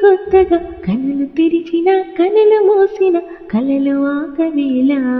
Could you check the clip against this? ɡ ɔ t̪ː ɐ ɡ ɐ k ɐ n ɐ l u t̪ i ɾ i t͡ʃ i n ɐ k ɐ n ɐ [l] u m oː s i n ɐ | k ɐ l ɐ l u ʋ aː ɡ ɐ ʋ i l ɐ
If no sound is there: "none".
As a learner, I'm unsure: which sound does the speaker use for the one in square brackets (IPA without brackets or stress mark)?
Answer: l